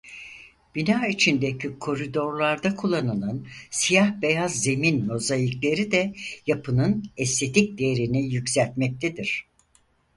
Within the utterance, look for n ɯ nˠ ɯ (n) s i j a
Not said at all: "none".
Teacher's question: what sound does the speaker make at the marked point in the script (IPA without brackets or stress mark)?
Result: n